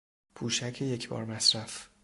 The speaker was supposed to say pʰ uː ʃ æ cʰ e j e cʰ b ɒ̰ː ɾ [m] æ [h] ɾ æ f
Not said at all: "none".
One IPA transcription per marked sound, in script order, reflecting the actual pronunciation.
m, s

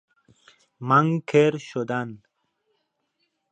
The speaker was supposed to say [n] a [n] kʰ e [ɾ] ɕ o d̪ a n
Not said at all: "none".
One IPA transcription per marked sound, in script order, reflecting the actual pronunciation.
m, ŋ, ɾ

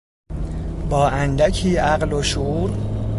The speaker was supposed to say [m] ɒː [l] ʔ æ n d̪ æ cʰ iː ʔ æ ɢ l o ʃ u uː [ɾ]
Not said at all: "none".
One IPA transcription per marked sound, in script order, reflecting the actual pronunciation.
b, none, ɾ

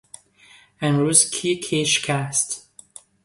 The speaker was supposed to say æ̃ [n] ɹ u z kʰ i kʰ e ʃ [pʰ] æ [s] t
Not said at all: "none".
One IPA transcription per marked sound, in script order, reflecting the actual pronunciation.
n, kʰ, s

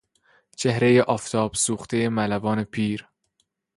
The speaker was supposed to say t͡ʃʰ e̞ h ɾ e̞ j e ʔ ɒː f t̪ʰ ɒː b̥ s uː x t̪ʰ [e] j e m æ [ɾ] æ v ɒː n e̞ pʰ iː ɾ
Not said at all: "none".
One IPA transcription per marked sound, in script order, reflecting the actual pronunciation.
e, l

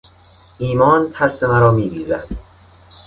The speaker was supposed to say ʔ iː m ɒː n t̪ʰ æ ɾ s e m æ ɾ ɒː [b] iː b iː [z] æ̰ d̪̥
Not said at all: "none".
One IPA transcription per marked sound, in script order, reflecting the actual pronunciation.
m, z

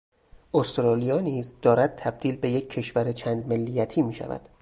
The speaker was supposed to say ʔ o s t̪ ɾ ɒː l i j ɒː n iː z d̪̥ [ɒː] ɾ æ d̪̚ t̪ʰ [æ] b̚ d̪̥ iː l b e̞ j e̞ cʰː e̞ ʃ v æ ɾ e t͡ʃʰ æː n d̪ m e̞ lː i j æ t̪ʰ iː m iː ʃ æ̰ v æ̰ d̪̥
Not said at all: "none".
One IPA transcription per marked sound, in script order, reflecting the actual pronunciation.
ɒː, æ

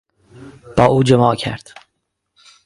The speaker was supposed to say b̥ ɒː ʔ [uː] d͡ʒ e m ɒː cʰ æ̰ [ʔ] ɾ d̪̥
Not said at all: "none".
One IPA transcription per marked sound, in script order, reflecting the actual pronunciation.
uː, none

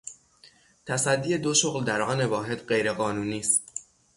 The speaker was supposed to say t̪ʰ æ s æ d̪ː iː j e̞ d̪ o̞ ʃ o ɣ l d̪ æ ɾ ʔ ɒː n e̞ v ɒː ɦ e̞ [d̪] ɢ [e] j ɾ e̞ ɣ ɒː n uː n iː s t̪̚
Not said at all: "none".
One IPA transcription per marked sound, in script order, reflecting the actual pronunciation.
d̪, e

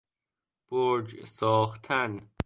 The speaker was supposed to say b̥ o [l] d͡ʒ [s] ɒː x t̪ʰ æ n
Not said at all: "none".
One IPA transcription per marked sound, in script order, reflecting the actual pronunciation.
ɾ, s

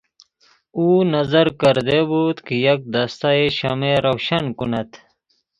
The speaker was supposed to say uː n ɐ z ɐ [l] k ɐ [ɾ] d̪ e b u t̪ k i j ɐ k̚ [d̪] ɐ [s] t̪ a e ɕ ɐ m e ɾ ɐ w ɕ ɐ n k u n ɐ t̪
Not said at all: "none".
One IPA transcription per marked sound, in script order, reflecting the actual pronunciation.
ɾ, ɾ, d̪, s

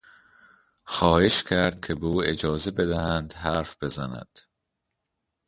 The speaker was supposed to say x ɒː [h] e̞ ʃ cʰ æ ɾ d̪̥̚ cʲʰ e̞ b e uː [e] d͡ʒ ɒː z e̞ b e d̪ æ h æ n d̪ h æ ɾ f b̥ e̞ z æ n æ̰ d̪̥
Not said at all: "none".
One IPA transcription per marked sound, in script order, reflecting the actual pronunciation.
h, e

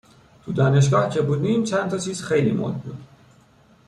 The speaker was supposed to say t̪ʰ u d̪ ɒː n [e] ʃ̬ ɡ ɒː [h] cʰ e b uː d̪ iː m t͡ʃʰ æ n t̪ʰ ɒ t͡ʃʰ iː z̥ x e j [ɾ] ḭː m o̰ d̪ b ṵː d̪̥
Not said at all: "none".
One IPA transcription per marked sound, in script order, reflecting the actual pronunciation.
e, h, l

